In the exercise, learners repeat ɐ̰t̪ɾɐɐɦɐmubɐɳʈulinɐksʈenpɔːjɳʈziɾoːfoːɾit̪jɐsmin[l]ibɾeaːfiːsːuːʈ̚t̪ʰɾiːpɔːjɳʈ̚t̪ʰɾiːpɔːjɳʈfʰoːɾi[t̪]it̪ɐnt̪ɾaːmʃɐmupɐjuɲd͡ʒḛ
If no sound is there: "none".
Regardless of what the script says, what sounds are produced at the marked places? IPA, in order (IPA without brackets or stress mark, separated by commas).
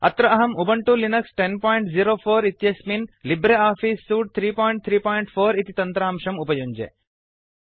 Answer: l, t̪